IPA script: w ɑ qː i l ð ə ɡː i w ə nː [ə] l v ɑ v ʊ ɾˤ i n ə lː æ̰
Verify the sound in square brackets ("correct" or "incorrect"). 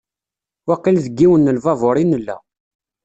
correct